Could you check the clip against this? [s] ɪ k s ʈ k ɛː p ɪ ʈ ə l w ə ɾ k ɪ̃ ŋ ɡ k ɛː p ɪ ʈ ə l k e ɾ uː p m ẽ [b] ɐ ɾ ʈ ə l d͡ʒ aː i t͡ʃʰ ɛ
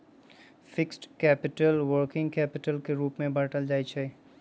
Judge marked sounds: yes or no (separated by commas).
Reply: no, yes